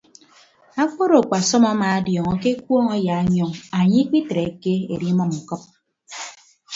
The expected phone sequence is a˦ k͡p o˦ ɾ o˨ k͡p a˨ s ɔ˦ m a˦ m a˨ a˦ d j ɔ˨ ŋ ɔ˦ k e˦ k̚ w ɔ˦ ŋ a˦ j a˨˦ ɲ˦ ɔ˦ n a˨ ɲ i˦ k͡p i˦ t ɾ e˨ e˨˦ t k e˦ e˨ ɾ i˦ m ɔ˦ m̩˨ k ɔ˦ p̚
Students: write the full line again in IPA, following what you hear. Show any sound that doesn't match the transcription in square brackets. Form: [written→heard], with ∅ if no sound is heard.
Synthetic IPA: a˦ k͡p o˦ ɾ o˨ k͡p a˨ s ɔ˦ m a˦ m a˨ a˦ d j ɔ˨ ŋ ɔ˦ k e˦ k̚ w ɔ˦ ŋ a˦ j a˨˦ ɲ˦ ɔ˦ [n→ŋ] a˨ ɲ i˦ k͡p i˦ t ɾ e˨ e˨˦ [t→∅] k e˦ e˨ ɾ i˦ m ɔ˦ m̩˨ k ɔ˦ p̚